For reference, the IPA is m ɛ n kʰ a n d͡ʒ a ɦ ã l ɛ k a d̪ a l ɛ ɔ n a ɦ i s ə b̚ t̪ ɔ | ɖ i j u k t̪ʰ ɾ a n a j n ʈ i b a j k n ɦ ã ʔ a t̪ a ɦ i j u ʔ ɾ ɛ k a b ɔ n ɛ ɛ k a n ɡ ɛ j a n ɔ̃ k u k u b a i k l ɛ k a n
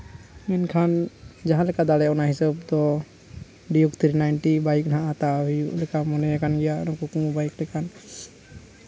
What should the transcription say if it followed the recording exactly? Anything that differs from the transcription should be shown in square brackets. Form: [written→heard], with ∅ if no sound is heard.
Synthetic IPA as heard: m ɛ n kʰ a n d͡ʒ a ɦ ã l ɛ k a d̪ a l ɛ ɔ n a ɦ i s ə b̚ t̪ ɔ | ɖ i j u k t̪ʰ ɾ [a→i] n a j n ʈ i b a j k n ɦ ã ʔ a t̪ a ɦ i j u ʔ [ɾ→l] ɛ k a [b→m] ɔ n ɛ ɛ k a n ɡ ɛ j a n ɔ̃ k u k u b a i k l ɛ k a n

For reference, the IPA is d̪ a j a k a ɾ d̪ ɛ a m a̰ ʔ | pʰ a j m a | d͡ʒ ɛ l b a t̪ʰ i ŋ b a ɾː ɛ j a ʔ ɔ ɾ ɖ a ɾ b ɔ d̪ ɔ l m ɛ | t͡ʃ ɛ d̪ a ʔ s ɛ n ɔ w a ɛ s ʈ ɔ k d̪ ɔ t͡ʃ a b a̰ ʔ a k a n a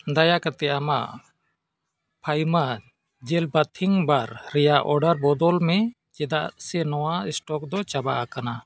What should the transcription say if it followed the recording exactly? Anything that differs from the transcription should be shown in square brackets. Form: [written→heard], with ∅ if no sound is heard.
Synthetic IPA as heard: d̪ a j a k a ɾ [d̪→t̪] ɛ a m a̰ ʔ | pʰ a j m a | d͡ʒ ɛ l b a t̪ʰ i ŋ b a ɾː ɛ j a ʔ ɔ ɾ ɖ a ɾ b ɔ d̪ ɔ l m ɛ | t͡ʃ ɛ d̪ a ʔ s ɛ n ɔ w a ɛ s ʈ ɔ k d̪ ɔ t͡ʃ a b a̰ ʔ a k a n a

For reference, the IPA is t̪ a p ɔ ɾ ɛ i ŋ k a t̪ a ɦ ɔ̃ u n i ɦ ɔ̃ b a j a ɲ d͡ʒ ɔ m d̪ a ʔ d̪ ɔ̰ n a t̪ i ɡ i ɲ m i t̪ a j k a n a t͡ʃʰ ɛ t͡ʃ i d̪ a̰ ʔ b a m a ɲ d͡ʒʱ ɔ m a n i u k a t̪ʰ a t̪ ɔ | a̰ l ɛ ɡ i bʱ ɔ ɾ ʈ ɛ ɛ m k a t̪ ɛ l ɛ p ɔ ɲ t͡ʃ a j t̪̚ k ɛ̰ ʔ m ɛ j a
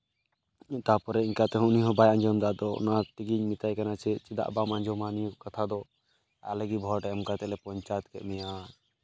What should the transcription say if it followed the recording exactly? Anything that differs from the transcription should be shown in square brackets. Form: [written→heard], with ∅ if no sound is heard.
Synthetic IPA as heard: t̪ a p ɔ ɾ ɛ i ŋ k a t̪ [a→ɛ] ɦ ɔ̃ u n i ɦ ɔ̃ b a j a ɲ d͡ʒ ɔ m d̪ a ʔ d̪ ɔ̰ n a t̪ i ɡ i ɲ m i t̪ a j k a n a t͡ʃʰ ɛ t͡ʃ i d̪ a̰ ʔ b a m a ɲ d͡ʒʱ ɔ m a n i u k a t̪ʰ a [t̪→d̪] ɔ | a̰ l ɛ ɡ i bʱ ɔ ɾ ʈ ɛ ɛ m k a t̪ ɛ l ɛ p ɔ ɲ t͡ʃ a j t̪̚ k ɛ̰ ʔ m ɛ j a

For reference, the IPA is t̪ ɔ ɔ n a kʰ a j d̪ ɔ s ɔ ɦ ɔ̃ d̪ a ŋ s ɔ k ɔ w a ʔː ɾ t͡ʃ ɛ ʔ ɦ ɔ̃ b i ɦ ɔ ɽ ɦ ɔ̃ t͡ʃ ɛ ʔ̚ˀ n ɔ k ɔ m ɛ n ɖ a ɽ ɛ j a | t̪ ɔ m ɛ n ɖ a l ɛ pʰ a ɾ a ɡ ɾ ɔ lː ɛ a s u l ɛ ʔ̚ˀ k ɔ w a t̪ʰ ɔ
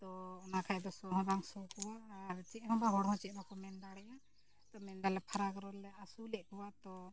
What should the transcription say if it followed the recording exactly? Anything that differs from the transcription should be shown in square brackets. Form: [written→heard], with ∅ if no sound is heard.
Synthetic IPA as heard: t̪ ɔ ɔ n a kʰ a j d̪ ɔ s ɔ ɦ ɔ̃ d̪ a ŋ s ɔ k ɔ w a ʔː ɾ t͡ʃ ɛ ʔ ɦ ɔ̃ b [i→a] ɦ ɔ ɽ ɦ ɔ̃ t͡ʃ ɛ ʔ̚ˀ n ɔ k ɔ m ɛ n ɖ a ɽ ɛ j a | t̪ ɔ m ɛ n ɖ a l ɛ pʰ a ɾ a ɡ ɾ ɔ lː ɛ a s u l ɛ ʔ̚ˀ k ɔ w a [t̪ʰ→t̪] ɔ

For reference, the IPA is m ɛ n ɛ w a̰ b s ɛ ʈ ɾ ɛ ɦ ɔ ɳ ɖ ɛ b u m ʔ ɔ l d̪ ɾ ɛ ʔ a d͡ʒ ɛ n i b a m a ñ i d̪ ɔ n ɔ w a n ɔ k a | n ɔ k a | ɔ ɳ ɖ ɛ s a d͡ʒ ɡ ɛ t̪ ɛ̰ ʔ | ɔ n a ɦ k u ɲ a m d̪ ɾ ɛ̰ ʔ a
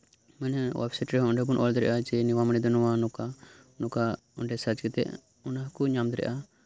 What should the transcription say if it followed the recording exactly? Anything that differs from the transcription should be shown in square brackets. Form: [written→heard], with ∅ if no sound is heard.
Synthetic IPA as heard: m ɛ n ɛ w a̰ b s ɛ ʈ ɾ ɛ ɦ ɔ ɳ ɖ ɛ b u [m→n] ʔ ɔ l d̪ ɾ ɛ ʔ a d͡ʒ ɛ n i [b→w] a m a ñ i d̪ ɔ n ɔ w a n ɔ k a | n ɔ k a | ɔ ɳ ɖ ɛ s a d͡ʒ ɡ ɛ t̪ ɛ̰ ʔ | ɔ n a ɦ k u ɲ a m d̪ ɾ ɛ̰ ʔ a

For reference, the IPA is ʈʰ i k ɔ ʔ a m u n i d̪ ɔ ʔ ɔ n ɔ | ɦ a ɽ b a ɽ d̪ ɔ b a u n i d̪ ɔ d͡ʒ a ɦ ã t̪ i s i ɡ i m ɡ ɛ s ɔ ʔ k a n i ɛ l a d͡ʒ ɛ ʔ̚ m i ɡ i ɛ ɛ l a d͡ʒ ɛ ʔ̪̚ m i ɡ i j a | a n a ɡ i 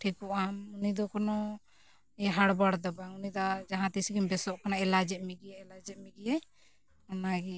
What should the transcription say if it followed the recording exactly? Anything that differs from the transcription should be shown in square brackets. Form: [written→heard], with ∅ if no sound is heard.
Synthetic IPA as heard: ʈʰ i k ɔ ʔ a m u n i d̪ ɔ [ʔ→k] ɔ n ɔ | ɦ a ɽ b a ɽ d̪ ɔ b a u n i d̪ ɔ d͡ʒ a ɦ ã t̪ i s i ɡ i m [ɡ→b] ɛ s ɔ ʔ k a n [i→a] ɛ l a d͡ʒ ɛ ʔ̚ m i ɡ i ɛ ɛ l a d͡ʒ ɛ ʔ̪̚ m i ɡ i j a | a n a ɡ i

